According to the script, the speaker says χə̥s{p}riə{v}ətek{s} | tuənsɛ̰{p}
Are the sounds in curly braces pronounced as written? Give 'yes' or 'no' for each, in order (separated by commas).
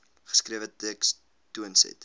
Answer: no, yes, yes, no